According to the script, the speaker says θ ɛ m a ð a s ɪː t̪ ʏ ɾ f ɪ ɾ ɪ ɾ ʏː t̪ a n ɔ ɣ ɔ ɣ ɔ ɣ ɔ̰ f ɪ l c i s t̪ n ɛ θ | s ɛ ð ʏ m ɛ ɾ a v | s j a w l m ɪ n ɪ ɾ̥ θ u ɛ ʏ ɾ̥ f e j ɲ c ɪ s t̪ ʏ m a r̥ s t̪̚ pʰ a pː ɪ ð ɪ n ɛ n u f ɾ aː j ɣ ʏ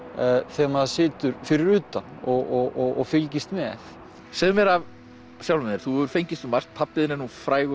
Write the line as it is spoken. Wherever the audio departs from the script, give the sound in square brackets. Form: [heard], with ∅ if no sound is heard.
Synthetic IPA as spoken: θ ɛ m a ð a s ɪː t̪ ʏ ɾ f ɪ ɾ ɪ ɾ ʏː t̪ a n ɔ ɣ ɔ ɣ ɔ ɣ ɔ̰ f ɪ l c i s t̪ [m] ɛ θ | s ɛ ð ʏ m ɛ ɾ a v | s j a w l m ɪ n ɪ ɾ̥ θ u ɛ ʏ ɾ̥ f e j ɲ c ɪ s t̪ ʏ m a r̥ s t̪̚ pʰ a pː ɪ ð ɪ n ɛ n u f ɾ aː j ɣ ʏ